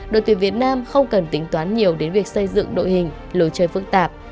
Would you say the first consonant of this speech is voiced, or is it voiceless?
voiced